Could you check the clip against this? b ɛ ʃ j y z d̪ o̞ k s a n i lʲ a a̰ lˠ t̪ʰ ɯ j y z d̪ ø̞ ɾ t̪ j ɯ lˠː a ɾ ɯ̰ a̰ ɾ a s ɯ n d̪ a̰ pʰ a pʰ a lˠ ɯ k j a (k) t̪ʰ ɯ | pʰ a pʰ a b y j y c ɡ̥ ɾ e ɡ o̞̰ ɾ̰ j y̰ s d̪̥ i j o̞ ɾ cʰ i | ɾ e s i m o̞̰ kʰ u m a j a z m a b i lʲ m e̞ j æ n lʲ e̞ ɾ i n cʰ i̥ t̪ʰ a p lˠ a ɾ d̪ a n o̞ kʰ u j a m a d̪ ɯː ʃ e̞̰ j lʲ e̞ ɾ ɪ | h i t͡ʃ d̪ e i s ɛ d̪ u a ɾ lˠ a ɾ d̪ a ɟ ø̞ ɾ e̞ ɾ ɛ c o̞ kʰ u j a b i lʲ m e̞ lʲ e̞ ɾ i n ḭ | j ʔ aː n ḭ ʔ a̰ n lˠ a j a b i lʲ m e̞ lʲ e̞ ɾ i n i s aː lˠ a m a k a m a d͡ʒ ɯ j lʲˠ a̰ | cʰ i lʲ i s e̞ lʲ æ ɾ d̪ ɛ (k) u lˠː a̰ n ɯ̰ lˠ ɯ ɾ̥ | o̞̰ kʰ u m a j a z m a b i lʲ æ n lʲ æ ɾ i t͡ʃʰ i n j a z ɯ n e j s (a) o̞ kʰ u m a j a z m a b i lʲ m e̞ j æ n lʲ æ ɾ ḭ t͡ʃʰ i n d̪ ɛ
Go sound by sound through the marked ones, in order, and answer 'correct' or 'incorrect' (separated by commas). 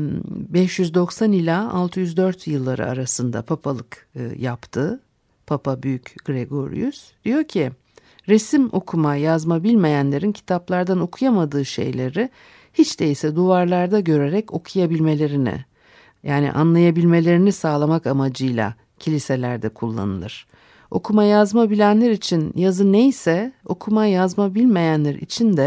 incorrect, incorrect, incorrect